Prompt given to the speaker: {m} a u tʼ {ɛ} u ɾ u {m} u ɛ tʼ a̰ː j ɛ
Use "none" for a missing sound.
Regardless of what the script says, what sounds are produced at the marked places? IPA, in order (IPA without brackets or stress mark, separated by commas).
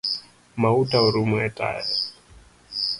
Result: m, a, m